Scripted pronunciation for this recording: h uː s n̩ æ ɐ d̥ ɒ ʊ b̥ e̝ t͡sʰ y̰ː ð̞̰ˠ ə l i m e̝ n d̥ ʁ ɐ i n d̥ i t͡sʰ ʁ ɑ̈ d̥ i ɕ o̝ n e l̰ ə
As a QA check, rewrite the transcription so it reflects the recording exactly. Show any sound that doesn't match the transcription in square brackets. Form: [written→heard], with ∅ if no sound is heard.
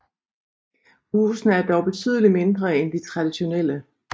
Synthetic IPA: h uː s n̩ æ ɐ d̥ ɒ ʊ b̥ e̝ t͡sʰ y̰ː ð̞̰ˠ ə l i m e̝ n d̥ ʁ ɐ [i→e] n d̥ i t͡sʰ ʁ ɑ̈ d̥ i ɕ o̝ n e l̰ ə